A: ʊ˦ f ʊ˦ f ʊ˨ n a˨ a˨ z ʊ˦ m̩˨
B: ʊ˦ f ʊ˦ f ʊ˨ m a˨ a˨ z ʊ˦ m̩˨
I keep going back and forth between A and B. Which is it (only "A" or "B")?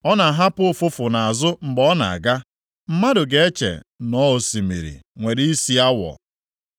A